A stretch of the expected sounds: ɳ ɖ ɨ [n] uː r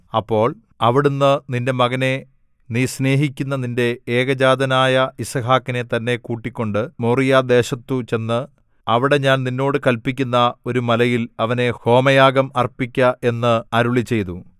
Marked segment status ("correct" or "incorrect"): incorrect